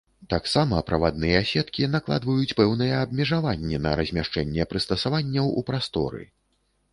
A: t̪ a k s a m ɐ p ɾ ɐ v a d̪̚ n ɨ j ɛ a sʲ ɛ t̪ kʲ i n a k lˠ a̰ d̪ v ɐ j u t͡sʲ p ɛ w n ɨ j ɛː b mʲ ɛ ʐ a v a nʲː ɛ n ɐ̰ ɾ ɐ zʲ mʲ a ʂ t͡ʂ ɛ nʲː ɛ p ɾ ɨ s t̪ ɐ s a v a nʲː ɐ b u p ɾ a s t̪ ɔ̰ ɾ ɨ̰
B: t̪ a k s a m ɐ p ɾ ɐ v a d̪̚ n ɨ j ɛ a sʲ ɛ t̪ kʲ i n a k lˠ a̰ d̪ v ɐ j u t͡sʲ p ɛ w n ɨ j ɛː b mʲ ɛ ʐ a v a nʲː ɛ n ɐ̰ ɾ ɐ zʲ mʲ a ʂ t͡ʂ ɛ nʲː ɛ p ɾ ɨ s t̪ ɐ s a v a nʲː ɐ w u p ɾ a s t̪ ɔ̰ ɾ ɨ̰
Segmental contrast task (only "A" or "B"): B